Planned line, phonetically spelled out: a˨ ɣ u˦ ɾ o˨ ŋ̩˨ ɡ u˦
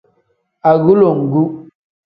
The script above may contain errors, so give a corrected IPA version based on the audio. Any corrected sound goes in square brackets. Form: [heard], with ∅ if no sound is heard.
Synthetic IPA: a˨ ɣ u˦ [l] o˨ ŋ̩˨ ɡ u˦